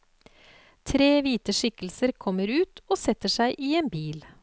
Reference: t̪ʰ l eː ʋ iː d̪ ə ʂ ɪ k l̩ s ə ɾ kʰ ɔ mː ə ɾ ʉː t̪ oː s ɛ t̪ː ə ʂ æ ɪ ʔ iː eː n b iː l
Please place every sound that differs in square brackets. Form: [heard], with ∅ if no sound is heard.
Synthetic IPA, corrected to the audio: t̪ʰ [ɾ] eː ʋ iː [t̪] ə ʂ ɪ k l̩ s ə ɾ kʰ ɔ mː ə ɾ ʉː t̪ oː s ɛ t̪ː ə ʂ æ ɪ ʔ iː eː n b iː l